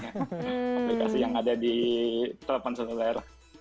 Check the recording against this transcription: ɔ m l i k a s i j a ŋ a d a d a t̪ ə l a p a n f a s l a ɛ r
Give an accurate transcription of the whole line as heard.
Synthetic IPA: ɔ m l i k a s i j a ŋ a d a d i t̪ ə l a p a n s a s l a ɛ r